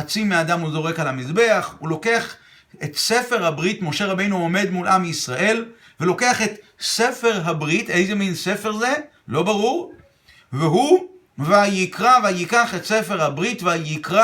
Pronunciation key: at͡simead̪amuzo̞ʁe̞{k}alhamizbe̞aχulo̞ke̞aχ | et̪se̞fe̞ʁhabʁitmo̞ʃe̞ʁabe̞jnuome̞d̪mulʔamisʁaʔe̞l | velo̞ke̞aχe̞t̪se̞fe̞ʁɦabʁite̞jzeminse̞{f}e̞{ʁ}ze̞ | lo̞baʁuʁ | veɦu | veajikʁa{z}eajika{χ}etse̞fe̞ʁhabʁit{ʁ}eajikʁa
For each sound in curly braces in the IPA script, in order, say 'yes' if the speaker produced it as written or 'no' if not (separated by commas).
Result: yes, yes, yes, no, yes, no